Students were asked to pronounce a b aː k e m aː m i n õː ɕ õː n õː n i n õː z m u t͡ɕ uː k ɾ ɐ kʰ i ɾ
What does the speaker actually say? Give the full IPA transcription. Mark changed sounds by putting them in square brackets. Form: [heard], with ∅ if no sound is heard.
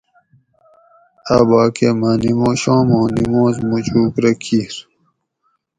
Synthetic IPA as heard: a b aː k e m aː [n] i [m] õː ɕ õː [m] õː n i [m] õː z m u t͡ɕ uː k ɾ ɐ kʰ i ɾ